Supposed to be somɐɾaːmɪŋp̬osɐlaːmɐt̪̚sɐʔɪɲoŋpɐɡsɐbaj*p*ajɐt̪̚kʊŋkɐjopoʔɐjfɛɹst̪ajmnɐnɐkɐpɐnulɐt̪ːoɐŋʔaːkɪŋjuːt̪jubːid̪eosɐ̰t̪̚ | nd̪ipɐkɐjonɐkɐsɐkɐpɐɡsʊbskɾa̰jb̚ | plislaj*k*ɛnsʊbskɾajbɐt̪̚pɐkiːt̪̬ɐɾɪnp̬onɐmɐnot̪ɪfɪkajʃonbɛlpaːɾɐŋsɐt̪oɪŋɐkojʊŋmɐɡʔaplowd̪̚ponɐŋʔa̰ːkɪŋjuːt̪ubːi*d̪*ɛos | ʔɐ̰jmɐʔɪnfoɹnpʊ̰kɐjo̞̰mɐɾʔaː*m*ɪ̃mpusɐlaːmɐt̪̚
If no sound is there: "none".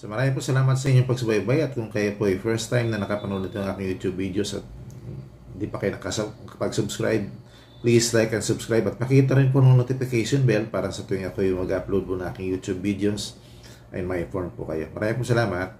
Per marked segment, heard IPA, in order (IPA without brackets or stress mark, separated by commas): b, k, d̪, m